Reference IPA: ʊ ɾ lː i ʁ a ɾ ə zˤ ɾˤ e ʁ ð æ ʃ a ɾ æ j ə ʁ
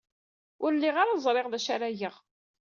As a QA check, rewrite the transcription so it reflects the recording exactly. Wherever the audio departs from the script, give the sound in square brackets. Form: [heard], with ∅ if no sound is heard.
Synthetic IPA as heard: ʊ ɾ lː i ʁ a ɾ [a] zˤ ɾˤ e ʁ ð æ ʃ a ɾ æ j ə ʁ